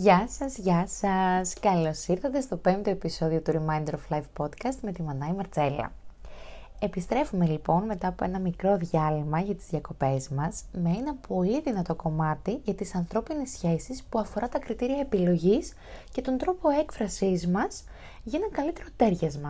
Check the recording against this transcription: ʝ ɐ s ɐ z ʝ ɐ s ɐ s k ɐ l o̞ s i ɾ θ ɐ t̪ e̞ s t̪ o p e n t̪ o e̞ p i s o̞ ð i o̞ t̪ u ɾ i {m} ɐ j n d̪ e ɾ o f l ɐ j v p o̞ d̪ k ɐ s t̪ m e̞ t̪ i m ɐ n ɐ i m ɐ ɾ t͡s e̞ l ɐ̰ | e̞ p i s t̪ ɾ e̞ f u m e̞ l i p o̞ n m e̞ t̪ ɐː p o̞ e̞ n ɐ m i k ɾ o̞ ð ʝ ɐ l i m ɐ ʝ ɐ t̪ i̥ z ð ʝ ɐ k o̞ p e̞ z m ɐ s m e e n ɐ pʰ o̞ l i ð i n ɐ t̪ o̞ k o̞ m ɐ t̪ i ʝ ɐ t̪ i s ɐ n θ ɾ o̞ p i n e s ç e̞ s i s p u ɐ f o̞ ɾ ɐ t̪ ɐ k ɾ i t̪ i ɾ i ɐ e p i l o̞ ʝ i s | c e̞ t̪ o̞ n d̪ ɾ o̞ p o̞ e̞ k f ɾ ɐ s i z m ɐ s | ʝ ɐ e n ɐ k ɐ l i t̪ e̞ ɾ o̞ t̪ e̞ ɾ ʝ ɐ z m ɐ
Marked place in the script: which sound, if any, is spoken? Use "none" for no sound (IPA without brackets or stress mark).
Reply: m